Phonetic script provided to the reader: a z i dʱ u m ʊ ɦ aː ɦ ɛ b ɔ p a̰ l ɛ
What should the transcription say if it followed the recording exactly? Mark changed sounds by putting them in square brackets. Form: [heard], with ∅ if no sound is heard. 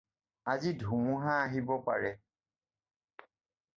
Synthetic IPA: a z i dʱ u m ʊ ɦ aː ɦ [i] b ɔ p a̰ [ɹ] ɛ